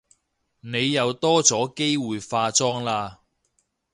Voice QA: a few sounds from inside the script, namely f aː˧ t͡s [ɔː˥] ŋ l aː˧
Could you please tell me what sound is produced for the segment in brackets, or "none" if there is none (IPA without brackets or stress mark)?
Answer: ɔː˥